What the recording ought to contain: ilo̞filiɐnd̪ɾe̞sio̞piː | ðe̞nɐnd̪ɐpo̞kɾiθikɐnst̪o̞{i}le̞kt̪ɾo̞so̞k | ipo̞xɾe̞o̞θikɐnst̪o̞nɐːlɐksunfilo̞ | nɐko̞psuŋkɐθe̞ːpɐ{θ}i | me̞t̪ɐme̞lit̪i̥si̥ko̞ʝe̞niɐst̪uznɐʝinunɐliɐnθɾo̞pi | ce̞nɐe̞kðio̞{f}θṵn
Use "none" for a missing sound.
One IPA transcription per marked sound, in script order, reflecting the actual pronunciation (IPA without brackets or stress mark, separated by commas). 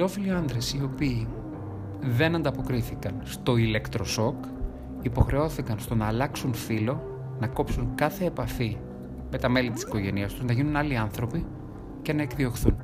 i, f, x